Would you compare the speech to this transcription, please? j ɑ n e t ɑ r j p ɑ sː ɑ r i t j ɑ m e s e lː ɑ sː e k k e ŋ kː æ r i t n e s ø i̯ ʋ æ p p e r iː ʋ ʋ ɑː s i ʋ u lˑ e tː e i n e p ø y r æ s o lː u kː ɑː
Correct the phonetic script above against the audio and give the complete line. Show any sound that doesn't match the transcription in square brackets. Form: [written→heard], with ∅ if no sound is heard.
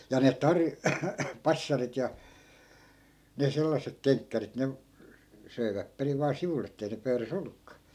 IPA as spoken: j ɑ n e t ɑ r j p ɑ sː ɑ r i t j ɑ [m→n] e s e lː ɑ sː e k k e ŋ kː æ r i t n e s ø i̯ ʋ æ p p e r [iː→i] ʋ ʋ ɑː s i ʋ u lˑ e tː e i n e p ø y r æ s o lː u kː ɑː